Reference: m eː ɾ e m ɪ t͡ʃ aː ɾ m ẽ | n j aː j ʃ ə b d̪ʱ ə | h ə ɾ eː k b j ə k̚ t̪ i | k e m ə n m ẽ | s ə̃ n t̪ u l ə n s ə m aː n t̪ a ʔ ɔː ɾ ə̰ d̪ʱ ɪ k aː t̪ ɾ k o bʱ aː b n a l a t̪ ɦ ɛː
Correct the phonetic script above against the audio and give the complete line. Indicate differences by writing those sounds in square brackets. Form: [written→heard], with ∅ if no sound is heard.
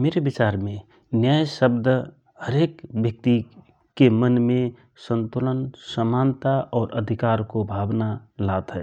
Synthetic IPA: m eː ɾ e [m→b] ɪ t͡ʃ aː ɾ m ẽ | n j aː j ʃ ə b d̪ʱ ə | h ə ɾ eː k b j ə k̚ t̪ i | k e m ə n m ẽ | s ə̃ n t̪ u l ə n s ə m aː n t̪ a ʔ ɔː ɾ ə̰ d̪ʱ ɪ k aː [t̪→∅] ɾ k o bʱ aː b n a l a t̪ ɦ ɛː